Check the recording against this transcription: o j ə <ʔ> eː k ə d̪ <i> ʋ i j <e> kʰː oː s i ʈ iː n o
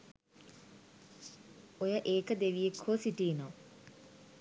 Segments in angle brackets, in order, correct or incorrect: correct, incorrect: e, correct

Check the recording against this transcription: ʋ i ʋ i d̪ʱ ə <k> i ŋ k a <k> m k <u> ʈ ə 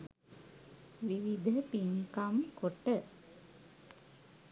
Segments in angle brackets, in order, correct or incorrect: incorrect: p, incorrect: none, incorrect: o

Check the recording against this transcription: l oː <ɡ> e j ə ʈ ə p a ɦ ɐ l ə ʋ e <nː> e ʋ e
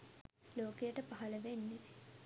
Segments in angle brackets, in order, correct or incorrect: incorrect: k, correct

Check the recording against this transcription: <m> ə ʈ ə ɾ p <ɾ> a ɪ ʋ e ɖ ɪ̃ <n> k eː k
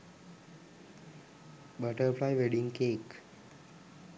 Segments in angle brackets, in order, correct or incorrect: incorrect: b, incorrect: l, incorrect: ŋ

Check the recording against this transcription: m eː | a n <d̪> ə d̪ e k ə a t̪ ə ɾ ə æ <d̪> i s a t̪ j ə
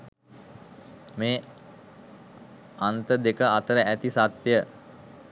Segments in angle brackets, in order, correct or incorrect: incorrect: t̪, incorrect: t̪

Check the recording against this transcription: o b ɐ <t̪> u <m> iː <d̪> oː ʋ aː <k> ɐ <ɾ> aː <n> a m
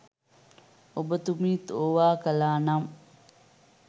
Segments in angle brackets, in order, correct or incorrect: correct, correct, incorrect: t̪, correct, incorrect: l, correct

